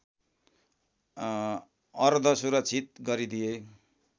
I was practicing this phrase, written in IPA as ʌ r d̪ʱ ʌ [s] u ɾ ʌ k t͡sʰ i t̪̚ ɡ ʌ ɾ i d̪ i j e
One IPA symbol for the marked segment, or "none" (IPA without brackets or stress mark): s